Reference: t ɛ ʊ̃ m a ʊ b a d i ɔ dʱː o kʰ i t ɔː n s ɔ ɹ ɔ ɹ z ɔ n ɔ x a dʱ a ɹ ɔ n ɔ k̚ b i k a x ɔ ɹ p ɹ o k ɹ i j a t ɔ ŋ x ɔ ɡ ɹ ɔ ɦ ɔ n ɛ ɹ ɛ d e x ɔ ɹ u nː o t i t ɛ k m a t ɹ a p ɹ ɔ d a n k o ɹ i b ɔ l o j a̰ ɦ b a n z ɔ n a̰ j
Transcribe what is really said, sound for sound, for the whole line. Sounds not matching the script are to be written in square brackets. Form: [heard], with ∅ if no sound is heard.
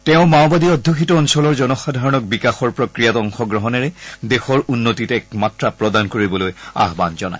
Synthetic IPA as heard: t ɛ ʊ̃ m a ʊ b a d i ɔ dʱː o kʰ i t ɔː n s ɔ [l] ɔ ɹ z ɔ n ɔ x a dʱ a ɹ ɔ n ɔ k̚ b i k a x ɔ ɹ p ɹ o k ɹ i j a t ɔ ŋ x ɔ ɡ ɹ ɔ ɦ ɔ n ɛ ɹ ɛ d e x ɔ ɹ u nː o t i t ɛ k m a t ɹ a p ɹ ɔ d a n k o ɹ i b ɔ l o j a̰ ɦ b a n z ɔ n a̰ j